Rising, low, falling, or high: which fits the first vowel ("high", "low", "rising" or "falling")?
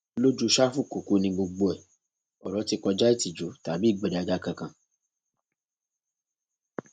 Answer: high